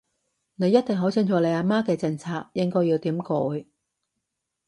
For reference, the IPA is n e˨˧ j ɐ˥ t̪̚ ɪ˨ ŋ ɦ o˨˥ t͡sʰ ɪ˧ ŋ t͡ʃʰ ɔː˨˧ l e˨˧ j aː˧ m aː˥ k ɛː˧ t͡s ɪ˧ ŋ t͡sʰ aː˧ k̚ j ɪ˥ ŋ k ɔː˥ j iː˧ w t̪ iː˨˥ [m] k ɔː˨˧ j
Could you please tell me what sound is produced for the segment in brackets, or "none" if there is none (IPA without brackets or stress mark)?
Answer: m